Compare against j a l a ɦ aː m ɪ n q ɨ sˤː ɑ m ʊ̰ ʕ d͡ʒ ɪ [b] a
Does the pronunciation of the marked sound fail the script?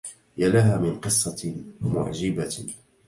no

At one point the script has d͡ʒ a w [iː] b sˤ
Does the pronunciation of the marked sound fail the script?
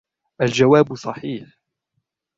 yes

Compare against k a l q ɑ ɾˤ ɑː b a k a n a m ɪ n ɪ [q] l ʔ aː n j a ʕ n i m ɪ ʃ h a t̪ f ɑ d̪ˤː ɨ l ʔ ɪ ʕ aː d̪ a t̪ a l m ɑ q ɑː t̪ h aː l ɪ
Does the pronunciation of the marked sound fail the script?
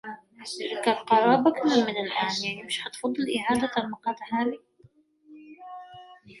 yes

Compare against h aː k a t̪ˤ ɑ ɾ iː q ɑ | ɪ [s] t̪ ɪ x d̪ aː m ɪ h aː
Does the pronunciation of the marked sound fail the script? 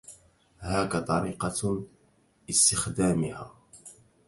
no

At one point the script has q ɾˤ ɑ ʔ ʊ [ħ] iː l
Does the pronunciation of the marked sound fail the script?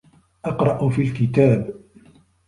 yes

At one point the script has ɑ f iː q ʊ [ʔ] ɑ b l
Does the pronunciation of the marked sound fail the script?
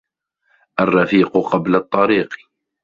yes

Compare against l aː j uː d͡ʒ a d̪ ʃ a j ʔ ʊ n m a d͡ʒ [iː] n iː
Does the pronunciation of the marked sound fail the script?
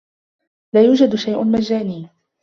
yes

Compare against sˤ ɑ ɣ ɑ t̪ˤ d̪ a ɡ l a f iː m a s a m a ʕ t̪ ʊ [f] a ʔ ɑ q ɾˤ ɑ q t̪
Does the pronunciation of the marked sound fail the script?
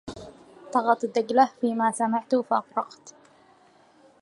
no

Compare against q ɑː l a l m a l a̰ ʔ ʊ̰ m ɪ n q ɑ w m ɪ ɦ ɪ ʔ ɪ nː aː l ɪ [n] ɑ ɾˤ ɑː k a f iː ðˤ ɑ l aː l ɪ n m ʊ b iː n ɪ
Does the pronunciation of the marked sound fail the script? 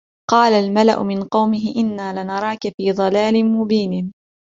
no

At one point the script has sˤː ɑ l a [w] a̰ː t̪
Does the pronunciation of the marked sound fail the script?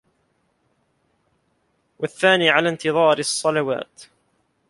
no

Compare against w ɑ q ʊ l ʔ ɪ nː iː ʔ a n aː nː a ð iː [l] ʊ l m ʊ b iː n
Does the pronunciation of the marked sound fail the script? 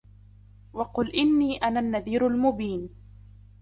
yes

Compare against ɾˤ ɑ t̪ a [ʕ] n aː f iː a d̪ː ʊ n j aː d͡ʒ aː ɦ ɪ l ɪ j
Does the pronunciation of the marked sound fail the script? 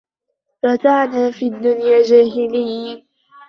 no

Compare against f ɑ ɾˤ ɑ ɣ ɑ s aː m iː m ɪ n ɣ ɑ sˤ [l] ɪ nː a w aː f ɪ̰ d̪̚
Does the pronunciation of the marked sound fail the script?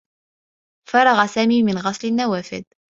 no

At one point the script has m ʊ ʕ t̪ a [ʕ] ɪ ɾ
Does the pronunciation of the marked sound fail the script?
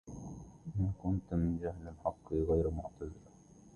yes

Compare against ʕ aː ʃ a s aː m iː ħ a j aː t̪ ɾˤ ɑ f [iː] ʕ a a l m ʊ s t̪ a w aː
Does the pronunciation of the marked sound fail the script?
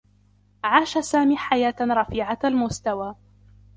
no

